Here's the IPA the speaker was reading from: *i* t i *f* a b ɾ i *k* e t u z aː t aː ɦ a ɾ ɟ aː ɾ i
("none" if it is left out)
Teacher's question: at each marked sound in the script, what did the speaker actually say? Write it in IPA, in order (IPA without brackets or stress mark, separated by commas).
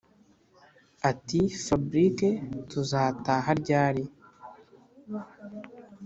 a, f, k